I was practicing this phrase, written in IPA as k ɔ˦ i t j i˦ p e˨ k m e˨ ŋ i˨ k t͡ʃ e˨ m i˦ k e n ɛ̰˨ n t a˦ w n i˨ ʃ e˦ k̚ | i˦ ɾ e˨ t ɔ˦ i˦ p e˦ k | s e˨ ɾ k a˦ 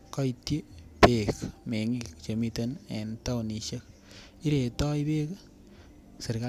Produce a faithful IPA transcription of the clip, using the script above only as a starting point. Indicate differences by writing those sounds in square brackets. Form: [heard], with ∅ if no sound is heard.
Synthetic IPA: k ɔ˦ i t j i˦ p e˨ k m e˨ ŋ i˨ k t͡ʃ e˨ m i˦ [t] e n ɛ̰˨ n t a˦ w n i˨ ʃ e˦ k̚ | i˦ ɾ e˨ t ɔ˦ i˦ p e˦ k | s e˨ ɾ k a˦